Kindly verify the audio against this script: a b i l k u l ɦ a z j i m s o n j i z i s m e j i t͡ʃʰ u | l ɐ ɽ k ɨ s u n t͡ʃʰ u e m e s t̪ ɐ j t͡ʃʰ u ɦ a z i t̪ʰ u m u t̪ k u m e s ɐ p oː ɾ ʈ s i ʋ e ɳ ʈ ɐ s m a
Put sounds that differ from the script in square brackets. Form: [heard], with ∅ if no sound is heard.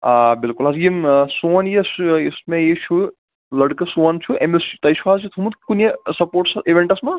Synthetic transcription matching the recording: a b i l k u l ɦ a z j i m s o n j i [s] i s m e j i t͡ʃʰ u | l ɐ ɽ k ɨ s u n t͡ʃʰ u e m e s t̪ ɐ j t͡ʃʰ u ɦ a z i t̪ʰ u m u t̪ k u [n] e s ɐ p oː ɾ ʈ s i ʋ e ɳ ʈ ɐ s m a